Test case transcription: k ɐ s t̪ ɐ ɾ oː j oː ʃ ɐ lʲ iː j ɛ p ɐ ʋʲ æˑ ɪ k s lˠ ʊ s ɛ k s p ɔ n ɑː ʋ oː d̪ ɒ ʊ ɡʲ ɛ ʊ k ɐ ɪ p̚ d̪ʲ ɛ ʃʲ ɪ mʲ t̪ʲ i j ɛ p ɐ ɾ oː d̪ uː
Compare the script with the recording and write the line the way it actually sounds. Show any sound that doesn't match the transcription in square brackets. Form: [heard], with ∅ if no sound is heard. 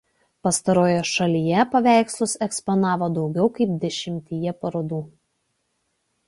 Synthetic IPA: [p] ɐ s t̪ ɐ ɾ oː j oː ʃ ɐ lʲ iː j ɛ p ɐ ʋʲ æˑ ɪ k s lˠ ʊ s ɛ k s p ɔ n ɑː ʋ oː d̪ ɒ ʊ ɡʲ ɛ ʊ k ɐ ɪ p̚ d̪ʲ ɛ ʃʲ ɪ mʲ t̪ʲ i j ɛ p ɐ ɾ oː d̪ uː